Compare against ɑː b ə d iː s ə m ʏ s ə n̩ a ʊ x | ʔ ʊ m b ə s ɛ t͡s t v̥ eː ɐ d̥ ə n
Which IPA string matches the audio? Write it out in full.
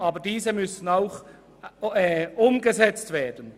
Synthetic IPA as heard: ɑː b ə d iː z ə m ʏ s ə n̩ a ʊ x | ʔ ʊ m ɡ ə z ɛ t͡s t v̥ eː ɐ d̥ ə n